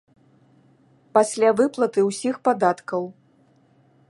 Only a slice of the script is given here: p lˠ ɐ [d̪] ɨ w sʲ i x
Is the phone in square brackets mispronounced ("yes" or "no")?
yes